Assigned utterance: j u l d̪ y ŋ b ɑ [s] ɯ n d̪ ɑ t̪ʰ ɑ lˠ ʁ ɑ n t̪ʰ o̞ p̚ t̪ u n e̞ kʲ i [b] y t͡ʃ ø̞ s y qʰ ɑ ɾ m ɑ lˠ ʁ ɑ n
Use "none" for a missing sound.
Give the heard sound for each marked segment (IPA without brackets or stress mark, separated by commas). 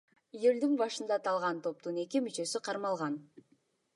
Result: ʃ, m